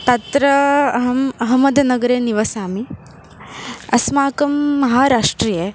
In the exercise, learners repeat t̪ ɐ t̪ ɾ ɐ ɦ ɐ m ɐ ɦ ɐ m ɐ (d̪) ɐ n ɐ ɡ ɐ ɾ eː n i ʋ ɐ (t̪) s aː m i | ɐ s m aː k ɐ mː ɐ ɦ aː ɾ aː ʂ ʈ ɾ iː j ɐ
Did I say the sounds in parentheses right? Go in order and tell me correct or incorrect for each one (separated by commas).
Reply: correct, incorrect